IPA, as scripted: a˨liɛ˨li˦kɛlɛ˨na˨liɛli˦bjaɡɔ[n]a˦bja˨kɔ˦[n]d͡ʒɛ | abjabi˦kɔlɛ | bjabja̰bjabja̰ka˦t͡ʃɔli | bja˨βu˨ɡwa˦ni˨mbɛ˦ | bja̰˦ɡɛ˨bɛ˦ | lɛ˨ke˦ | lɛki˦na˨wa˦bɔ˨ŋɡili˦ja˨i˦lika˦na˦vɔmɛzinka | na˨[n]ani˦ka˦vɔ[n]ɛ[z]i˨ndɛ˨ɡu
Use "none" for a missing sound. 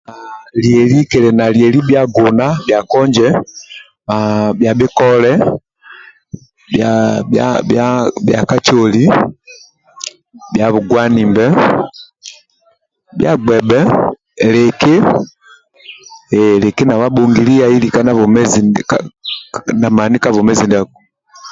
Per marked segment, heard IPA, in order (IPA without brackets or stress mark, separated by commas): n, ɲ, m, m, z